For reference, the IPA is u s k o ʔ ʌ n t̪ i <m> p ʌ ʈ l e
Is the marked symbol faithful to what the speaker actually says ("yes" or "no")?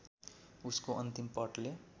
yes